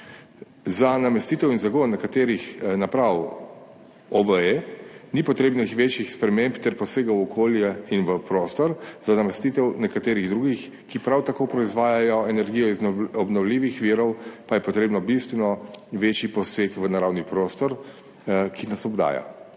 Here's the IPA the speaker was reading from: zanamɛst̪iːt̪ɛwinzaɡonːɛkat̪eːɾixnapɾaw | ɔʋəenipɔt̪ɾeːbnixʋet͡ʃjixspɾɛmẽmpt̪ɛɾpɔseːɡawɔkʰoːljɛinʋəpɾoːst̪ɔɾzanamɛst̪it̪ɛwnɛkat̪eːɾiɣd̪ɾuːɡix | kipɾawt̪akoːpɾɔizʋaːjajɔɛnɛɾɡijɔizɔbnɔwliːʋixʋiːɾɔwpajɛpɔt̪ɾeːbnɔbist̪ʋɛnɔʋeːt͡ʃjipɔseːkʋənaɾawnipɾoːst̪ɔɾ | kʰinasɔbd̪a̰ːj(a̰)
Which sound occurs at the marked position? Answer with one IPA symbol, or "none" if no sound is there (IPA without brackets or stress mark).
a̰